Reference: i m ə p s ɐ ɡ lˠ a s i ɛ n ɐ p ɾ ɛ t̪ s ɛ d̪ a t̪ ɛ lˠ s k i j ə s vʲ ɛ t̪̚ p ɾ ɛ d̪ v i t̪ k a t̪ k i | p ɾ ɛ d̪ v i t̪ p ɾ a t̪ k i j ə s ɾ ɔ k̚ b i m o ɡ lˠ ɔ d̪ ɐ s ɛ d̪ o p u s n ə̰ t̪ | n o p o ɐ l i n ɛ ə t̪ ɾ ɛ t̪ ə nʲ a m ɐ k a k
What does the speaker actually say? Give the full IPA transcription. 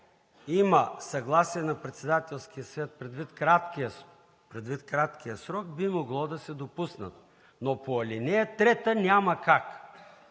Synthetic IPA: i m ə s ɐ ɡ lˠ a s i ɛ n ɐ p ɾ ɛ t̪ s ɛ d̪ a t̪ ɛ lˠ s k i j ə s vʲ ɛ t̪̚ p ɾ ɛ d̪ v i t̪ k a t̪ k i | p ɾ ɛ d̪ v i t̪ k ɾ a t̪ k i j ə s ɾ ɔ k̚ b i m o ɡ lˠ ɔ d̪ ɐ s ɛ d̪ o p u s n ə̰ t̪ | n o p o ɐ l i n ɛ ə t̪ ɾ ɛ t̪ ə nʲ a m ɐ k a k